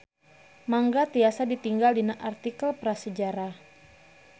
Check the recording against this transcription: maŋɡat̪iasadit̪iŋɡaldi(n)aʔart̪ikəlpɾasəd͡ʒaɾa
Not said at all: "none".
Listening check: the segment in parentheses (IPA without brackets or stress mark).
n